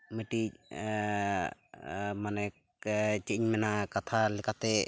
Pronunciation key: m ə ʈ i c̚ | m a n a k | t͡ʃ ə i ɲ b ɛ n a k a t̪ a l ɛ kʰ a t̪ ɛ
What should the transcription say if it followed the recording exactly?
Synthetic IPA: m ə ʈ i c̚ | m a n ɛ k | t͡ʃ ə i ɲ m ɛ n a k a t̪ʰ a l ɛ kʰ a t̪ ɛ

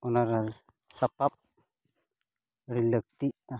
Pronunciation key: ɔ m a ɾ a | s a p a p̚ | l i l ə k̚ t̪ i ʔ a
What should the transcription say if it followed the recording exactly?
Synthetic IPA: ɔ n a ɾ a | s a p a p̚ | ɾ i l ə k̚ t̪ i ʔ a

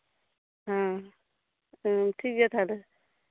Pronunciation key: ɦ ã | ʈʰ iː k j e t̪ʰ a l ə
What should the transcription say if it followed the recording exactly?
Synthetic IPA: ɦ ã | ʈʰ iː k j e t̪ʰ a l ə

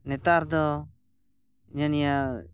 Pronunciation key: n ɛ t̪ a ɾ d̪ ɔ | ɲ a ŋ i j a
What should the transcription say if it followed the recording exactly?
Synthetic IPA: n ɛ t̪ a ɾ d̪ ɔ | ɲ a n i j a

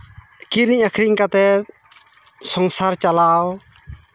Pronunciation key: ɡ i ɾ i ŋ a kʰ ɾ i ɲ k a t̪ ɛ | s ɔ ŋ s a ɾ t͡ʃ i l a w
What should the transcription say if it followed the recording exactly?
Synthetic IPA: k i ɾ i ɲ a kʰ ɾ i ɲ k a t̪ ɛ | s ɔ ŋ s a ɾ t͡ʃ a l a w

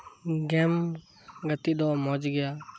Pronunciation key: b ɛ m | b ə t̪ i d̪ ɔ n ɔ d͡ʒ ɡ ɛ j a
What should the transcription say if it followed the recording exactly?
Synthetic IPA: ɡ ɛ m | ɡ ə t̪ i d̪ ɔ m ɔ d͡ʒ ɡ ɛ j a

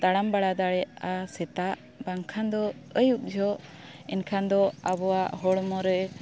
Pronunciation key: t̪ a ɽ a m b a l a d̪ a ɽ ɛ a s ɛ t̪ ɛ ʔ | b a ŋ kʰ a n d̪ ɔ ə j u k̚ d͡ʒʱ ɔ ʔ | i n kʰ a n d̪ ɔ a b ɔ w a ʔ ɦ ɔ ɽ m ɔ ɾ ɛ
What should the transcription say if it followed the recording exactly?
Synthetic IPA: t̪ a ɽ a m b a ɽ a d̪ a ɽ ɛ a s ɛ t̪ a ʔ | b a ŋ kʰ a n d̪ ɔ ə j u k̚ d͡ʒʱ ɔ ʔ | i n kʰ a n d̪ ɔ a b ɔ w a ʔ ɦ ɔ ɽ m ɔ ɾ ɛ

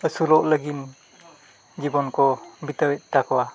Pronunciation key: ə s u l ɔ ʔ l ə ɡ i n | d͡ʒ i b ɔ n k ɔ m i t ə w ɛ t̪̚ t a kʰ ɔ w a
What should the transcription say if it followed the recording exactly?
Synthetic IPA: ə s u l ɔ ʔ l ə ɡ i n | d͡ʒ i b ɔ n k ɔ b i t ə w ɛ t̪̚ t a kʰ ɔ w a

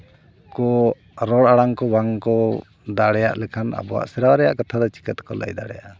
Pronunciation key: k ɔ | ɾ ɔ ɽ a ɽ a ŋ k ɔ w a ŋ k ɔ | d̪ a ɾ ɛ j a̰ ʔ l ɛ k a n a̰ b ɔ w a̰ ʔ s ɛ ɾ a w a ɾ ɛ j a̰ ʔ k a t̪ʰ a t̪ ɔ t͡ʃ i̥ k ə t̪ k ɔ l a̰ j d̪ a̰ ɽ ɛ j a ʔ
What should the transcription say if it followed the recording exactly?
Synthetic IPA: k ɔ | ɾ ɔ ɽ a ɽ a ŋ k ɔ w a ŋ k ɔ | d̪ a ɽ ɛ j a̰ ʔ l ɛ kʰ a n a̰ b ɔ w a̰ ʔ s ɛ ɾ a w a ɾ ɛ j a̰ ʔ k a t̪ʰ a d̪ ɔ t͡ʃ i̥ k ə t̪ k ɔ l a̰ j d̪ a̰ ɽ ɛ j a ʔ

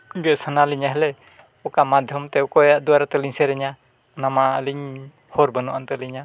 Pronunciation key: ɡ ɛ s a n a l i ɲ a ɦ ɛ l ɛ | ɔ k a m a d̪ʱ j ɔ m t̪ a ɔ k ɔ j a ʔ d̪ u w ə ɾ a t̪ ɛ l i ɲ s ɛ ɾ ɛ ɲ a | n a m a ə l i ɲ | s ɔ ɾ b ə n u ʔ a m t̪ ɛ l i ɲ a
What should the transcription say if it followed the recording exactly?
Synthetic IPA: ɡ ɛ s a n a l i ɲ a ɦ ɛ l ɛ | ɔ k a m a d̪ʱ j ɔ m t̪ ɛ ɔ k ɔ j a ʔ d̪ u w a ɾ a t̪ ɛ l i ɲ s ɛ ɾ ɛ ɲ a | n a m a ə l i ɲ | h ɔ ɾ b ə n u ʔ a n t̪ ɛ l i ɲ a

